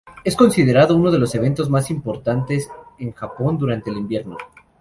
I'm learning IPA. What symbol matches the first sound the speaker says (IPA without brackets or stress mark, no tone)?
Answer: e̞